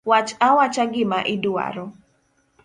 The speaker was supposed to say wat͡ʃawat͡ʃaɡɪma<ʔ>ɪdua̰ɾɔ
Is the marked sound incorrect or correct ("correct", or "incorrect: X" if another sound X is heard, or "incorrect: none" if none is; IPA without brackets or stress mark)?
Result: correct